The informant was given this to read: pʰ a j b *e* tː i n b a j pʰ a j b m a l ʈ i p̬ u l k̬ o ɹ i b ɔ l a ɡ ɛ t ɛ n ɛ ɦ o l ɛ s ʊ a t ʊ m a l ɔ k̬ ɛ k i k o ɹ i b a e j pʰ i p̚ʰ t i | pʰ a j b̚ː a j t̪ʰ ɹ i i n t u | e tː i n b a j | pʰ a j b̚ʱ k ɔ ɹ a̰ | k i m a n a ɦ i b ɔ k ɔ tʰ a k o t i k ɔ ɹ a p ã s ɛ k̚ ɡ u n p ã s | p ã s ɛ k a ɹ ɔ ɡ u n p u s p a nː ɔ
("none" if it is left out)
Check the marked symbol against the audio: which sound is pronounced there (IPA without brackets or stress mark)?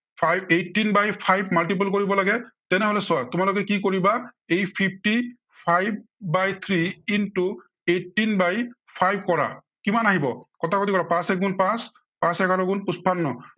e